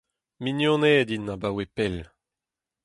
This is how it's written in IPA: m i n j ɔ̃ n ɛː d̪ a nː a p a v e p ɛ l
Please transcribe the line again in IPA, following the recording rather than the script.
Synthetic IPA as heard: m i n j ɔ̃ n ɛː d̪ i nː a b a w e p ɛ l